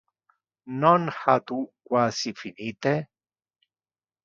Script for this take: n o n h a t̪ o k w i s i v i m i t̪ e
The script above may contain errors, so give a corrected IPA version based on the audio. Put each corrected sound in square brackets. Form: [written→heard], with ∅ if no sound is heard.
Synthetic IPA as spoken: n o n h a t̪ [o→u] k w [i→a] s i [v→f] i [m→n] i t̪ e